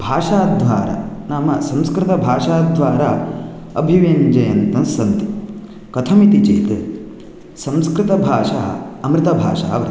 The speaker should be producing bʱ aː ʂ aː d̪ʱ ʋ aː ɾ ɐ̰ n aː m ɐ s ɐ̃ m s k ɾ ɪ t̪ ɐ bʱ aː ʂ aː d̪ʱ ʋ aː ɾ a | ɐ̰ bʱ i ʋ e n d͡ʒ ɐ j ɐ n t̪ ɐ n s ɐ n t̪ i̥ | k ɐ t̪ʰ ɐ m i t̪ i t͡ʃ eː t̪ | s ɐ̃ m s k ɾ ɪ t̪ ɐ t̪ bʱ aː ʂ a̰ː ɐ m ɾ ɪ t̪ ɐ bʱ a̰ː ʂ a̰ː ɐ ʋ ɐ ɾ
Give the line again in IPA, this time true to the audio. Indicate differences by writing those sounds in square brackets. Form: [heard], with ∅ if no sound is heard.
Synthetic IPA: bʱ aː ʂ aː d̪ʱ ʋ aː ɾ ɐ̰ n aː m ɐ s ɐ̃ m s k ɾ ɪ t̪ ɐ bʱ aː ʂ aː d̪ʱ ʋ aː ɾ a | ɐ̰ bʱ i ʋ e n d͡ʒ ɐ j ɐ n t̪ ɐ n s ɐ n t̪ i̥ | k ɐ t̪ʰ ɐ m i t̪ i t͡ʃ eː t̪ | s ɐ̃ m s k ɾ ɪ t̪ ɐ [∅] bʱ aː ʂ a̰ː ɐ m ɾ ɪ t̪ ɐ bʱ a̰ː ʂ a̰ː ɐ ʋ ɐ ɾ